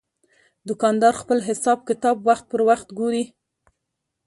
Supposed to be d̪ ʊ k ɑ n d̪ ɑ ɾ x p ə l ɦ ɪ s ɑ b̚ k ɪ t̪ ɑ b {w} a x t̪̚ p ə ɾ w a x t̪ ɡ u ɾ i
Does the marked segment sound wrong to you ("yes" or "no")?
no